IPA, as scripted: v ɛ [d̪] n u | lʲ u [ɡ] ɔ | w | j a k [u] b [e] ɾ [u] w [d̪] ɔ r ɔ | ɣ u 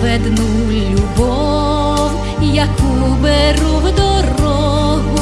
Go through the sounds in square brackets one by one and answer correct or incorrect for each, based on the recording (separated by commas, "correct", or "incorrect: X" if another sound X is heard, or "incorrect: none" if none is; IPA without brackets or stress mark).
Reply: correct, incorrect: b, correct, incorrect: ɛ, correct, correct